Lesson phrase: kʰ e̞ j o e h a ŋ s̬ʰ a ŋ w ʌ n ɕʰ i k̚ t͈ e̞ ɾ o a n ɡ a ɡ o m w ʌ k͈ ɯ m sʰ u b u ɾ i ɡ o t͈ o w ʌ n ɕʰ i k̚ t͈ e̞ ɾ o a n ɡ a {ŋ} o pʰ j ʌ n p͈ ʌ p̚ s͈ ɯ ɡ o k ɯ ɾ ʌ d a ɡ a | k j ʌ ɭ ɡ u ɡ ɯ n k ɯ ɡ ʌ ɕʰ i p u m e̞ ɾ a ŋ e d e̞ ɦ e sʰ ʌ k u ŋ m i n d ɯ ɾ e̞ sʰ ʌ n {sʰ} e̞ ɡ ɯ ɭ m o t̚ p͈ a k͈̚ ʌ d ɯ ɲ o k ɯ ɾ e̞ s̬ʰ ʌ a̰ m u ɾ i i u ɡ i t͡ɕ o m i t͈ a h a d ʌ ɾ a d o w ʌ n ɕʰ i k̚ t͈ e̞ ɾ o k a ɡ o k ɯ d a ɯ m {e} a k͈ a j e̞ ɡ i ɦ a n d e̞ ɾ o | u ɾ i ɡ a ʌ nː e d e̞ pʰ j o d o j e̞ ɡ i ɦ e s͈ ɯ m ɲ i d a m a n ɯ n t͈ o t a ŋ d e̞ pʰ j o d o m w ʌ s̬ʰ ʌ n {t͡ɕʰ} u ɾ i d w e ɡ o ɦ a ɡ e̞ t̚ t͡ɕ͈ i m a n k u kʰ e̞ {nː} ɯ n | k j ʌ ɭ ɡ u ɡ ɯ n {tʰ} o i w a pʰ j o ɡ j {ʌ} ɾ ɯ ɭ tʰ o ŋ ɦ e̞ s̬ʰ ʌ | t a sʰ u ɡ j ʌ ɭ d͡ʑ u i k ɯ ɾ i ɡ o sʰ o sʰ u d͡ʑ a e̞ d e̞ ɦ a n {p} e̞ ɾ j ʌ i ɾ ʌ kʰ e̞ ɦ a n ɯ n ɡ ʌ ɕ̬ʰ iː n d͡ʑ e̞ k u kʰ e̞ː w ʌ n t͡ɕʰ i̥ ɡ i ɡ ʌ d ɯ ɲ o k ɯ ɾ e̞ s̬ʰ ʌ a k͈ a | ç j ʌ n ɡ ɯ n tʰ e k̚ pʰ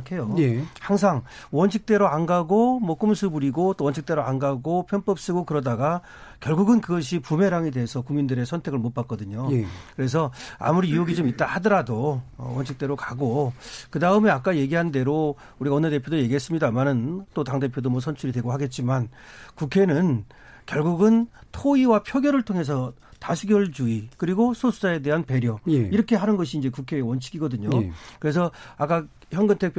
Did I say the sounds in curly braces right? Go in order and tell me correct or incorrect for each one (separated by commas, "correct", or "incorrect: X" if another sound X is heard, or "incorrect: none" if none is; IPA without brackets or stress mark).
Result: incorrect: ɡ, incorrect: tʰ, correct, correct, incorrect: n, correct, correct, correct